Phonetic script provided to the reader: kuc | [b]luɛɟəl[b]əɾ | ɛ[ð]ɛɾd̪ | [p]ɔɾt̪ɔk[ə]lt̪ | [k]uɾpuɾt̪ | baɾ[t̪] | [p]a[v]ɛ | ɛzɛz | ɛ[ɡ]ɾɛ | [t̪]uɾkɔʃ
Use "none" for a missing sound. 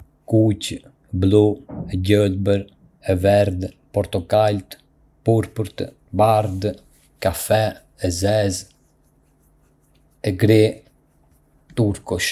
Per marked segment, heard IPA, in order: b, b, v, p, a, p, d̪, k, f, ɡ, t̪

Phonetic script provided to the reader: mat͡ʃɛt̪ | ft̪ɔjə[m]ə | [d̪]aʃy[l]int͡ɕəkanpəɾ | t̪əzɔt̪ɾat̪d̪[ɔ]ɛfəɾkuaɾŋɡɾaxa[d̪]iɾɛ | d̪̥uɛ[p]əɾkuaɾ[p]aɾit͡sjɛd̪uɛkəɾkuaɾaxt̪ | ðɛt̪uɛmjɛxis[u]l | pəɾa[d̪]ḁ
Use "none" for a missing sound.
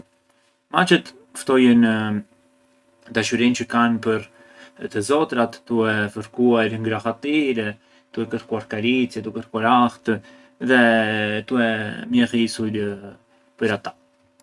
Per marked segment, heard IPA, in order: n, d̪, ɾ, u, t̪, k, k, u, t̪

